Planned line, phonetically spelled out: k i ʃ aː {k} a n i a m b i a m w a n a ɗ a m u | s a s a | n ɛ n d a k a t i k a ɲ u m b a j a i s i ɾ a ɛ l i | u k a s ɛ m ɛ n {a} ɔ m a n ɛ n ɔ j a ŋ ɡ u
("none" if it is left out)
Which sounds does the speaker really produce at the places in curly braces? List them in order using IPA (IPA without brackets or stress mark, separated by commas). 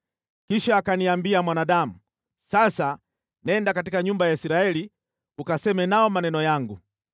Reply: k, a